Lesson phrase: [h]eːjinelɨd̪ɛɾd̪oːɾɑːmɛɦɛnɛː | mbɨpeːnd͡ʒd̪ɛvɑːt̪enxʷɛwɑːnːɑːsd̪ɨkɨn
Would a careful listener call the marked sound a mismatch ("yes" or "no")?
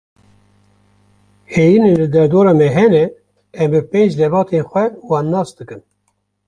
no